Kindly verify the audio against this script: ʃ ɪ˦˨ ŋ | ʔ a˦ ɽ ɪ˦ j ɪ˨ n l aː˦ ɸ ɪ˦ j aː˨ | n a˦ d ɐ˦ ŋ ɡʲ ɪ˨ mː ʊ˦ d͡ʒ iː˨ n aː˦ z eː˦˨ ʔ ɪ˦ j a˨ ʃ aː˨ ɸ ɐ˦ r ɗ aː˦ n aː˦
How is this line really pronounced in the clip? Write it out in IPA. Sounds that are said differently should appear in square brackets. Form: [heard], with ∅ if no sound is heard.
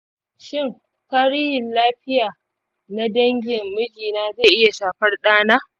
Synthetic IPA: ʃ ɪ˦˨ ŋ | [k] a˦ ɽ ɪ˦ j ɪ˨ n l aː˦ ɸ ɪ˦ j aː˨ | n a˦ d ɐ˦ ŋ ɡʲ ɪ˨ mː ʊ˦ d͡ʒ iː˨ n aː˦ z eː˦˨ ʔ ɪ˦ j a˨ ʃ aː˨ ɸ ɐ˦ r ɗ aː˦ n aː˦